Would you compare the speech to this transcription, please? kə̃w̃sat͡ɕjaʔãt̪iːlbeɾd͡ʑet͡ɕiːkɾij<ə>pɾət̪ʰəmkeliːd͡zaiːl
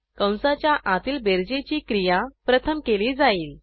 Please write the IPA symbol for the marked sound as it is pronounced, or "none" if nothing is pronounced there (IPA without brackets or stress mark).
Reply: a